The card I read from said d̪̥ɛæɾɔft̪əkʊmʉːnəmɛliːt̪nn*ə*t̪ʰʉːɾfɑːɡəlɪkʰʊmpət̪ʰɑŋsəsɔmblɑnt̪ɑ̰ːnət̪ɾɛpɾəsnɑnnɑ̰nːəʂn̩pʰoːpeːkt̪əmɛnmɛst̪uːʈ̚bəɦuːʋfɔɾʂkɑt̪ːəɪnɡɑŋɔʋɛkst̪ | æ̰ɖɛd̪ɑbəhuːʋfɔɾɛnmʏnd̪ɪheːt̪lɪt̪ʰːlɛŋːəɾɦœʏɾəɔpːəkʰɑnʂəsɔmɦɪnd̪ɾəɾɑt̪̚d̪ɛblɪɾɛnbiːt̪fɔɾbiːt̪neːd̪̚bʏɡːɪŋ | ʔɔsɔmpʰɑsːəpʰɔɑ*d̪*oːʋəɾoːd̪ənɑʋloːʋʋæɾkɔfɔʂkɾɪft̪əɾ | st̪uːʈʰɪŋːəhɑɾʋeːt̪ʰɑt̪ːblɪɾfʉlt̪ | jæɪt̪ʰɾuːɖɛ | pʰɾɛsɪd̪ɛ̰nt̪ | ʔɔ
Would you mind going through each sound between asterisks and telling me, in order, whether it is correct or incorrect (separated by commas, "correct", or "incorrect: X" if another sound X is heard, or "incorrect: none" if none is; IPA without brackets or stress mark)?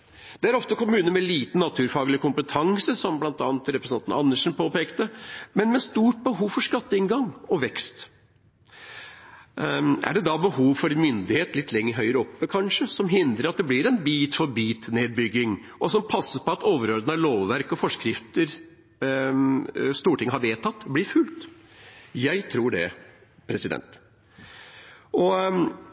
incorrect: ɑ, incorrect: t̪